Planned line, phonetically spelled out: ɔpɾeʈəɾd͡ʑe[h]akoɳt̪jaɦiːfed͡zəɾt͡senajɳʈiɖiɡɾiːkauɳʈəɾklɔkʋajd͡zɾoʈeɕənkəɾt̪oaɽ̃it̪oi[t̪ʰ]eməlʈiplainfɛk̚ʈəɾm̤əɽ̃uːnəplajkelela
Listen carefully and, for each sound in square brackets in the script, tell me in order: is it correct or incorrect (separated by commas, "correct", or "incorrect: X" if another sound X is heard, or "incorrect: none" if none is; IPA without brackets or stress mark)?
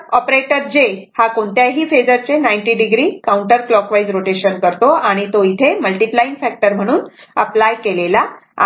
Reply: correct, correct